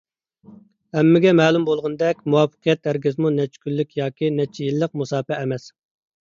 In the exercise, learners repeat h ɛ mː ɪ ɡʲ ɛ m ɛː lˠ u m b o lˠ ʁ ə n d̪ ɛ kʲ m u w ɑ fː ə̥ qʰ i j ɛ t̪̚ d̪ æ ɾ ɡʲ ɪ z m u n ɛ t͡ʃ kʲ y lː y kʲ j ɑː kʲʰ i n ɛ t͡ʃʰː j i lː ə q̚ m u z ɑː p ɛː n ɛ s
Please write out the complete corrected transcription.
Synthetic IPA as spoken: h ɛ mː ɪ ɡʲ ɛ m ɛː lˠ u m b o lˠ ʁ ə n d̪ ɛ kʲ m u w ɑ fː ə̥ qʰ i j ɛ t̪̚ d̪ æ ɾ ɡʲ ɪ z m u n ɛ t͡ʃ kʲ y lː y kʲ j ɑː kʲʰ i n ɛ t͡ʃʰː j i lː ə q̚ m u s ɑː p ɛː m ɛ s